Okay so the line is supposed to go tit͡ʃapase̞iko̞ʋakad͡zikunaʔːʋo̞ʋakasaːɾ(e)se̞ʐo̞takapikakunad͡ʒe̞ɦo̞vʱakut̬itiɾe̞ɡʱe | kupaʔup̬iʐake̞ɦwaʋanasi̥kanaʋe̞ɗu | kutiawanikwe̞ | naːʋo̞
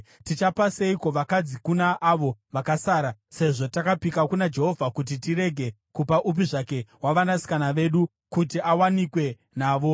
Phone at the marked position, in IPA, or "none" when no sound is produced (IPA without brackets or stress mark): a